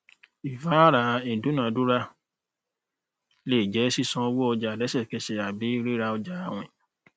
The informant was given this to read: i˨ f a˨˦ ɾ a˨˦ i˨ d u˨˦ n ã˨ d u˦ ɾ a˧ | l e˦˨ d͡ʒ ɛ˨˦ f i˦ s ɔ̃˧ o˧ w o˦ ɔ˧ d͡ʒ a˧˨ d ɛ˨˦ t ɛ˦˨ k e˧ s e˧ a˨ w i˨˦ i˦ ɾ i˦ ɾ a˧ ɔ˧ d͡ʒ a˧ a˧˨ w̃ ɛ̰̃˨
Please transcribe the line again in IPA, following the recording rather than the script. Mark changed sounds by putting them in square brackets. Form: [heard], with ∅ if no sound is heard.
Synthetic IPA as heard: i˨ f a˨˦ ɾ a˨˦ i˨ d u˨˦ n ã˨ d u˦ ɾ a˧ | l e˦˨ d͡ʒ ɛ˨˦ [s] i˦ s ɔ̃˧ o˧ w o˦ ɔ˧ d͡ʒ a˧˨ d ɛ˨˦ [s] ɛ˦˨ k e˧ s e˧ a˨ [b] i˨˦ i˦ ɾ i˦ ɾ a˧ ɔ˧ d͡ʒ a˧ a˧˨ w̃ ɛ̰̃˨

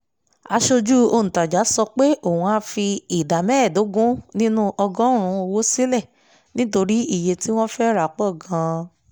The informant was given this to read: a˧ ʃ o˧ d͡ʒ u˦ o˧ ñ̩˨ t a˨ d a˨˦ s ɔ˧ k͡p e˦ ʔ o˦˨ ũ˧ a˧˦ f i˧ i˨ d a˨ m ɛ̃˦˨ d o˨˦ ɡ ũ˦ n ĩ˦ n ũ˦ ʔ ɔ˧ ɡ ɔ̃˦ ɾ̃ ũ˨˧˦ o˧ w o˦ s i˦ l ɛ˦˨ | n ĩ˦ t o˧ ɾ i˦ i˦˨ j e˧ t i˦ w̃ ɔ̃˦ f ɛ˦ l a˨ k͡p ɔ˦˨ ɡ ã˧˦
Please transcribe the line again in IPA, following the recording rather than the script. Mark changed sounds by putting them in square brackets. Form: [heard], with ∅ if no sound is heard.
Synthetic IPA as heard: a˧ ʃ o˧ d͡ʒ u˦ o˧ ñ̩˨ t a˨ [d͡ʒ] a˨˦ s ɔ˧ k͡p e˦ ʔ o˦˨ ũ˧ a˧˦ f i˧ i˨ d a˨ m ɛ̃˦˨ d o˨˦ ɡ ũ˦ n ĩ˦ n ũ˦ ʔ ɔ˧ ɡ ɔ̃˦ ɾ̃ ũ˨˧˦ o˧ w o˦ s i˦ l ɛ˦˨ | n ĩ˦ t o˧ ɾ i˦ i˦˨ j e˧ t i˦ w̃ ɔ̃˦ f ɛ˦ [ɾ] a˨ k͡p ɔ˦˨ ɡ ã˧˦

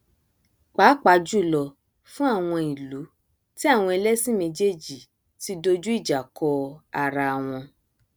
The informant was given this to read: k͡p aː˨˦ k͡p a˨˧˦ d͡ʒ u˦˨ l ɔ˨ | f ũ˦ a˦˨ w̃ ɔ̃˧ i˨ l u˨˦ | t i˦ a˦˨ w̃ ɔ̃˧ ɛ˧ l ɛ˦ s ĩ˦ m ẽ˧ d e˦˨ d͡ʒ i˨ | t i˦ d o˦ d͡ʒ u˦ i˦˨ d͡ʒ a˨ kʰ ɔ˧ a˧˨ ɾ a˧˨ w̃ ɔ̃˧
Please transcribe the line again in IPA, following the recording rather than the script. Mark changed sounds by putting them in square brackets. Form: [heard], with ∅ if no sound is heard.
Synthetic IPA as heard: k͡p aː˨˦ k͡p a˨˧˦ d͡ʒ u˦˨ l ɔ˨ | f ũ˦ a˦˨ w̃ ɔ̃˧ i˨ l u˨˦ | t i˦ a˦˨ w̃ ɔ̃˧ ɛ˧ l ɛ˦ s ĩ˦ m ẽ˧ [d͡ʒ] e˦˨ d͡ʒ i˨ | t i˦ d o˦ d͡ʒ u˦ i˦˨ d͡ʒ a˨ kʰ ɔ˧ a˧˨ ɾ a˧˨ w̃ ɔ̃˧

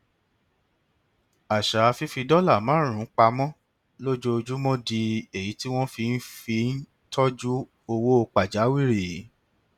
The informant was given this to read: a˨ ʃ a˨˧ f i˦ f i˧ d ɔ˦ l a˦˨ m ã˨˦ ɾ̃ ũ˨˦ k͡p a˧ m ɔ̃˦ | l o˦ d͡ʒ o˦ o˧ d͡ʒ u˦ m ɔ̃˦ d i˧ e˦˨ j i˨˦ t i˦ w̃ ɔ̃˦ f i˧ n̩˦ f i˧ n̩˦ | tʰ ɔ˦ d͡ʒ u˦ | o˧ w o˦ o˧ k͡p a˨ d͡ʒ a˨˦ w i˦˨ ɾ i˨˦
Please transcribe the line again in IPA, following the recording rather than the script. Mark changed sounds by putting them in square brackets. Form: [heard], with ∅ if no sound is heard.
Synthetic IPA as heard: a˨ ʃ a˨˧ f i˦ f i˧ d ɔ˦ l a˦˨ m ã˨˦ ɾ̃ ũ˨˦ k͡p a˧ m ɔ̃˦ | l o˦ d͡ʒ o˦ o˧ d͡ʒ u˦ m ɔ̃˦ d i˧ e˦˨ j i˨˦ t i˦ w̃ ɔ̃˦ f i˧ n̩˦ f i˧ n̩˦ | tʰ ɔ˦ d͡ʒ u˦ | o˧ w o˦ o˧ k͡p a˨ d͡ʒ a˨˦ w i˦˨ ɾ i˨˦

